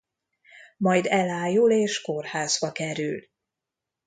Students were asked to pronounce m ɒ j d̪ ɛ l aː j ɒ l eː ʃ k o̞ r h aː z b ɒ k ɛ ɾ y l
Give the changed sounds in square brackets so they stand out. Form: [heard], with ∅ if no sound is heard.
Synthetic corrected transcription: m ɒ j d̪ ɛ l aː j [u] l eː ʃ k o̞ r h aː z b ɒ k ɛ ɾ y l

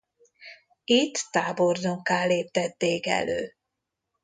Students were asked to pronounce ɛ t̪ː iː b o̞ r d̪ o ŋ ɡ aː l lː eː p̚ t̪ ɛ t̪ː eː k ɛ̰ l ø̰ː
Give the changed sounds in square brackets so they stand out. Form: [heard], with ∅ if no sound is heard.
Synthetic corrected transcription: [i] t̪ː [aː] b o̞ r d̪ o ŋ [k] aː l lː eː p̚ t̪ ɛ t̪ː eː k ɛ̰ l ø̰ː

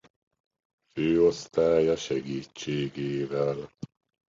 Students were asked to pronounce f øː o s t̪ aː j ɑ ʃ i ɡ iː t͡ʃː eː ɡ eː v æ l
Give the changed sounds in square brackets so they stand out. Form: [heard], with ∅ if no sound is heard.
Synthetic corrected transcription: f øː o s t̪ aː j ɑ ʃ [ɛ] ɡ iː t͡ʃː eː ɡ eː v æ l

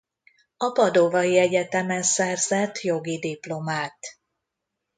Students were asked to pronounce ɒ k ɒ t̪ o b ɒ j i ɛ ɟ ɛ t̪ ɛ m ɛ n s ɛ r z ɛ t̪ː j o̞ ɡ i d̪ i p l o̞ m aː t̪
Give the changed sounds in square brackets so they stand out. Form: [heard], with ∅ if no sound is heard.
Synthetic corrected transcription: ɒ [p] ɒ [d̪] o [v] ɒ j i ɛ ɟ ɛ t̪ ɛ m ɛ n s ɛ r z ɛ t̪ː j o̞ ɡ i d̪ i p l o̞ m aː t̪

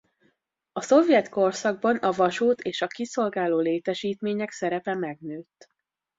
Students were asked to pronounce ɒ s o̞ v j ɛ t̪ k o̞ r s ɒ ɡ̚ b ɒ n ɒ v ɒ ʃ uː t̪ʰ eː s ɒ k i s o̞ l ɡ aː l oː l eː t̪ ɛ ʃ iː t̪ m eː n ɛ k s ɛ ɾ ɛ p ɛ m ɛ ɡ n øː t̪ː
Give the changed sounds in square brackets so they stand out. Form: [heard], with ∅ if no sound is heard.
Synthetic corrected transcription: ɒ s o̞ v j ɛ t̪ k o̞ r s ɒ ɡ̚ b ɒ n ɒ v ɒ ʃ uː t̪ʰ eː [ʃ] ɒ k i s o̞ l ɡ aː l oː l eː t̪ ɛ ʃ iː t̪ m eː [ɲ] ɛ k s ɛ ɾ ɛ p ɛ m ɛ ɡ n øː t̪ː

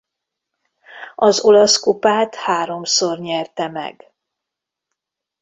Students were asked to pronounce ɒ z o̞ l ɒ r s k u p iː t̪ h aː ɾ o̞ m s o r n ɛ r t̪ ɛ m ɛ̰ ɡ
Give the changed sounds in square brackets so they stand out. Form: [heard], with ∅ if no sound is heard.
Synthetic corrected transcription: ɒ z o̞ l ɒ [∅] s k u p [aː] t̪ h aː ɾ o̞ m s o r [ɲ] ɛ r t̪ ɛ m ɛ̰ ɡ

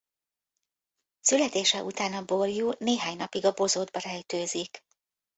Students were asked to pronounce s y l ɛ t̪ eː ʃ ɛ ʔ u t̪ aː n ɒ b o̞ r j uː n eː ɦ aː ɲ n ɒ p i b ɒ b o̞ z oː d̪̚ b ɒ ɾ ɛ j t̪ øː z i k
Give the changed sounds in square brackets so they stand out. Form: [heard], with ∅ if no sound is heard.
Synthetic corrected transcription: s y l ɛ t̪ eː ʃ ɛ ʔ u t̪ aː n ɒ b o̞ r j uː n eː ɦ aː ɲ n ɒ p i [ɡ] ɒ b o̞ z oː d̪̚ b ɒ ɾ ɛ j t̪ øː z i k

